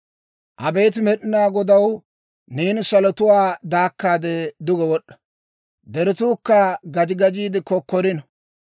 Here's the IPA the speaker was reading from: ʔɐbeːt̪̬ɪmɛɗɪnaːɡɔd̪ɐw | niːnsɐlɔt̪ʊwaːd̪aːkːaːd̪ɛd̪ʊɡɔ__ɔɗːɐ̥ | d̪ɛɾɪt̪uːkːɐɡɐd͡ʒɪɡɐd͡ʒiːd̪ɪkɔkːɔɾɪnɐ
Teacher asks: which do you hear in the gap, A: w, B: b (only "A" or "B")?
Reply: A